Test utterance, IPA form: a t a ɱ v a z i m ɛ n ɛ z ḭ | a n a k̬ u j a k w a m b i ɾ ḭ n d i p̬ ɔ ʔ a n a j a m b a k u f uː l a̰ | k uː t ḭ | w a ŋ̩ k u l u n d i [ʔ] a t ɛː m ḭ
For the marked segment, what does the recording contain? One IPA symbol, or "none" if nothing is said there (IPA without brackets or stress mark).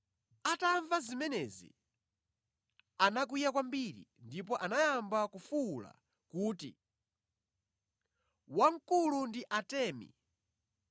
ʔ